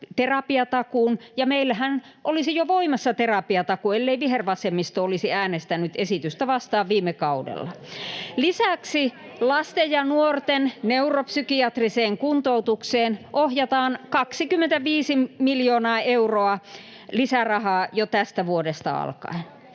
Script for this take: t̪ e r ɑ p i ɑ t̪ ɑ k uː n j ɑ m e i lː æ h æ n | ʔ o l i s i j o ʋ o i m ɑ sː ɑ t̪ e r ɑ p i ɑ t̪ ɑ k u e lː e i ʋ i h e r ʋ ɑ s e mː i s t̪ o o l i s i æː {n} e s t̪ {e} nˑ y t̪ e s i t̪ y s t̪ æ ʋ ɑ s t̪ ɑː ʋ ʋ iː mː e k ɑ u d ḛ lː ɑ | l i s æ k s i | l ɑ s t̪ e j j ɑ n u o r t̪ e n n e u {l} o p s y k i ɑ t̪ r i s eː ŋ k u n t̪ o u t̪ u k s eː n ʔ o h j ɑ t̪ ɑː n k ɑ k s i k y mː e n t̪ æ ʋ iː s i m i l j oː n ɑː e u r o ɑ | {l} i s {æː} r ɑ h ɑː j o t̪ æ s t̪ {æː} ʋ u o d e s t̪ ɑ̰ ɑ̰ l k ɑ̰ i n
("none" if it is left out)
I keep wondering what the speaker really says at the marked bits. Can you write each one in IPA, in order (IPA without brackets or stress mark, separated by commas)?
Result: n, æ, r, l, æ, æ